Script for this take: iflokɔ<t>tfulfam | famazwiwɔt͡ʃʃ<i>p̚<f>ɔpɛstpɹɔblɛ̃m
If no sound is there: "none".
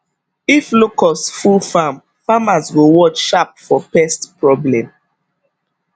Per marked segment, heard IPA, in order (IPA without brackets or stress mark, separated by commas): s, a, f